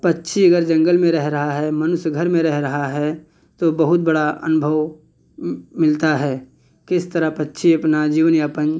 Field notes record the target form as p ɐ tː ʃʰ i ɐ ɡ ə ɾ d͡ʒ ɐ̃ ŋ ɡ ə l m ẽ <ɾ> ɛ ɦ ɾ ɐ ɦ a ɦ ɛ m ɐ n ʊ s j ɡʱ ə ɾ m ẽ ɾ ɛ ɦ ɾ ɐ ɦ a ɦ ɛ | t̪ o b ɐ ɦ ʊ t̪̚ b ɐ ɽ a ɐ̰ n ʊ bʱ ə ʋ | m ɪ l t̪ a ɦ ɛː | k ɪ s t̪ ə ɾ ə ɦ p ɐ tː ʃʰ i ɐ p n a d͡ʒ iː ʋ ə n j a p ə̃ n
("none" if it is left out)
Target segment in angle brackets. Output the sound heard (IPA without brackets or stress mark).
ɾ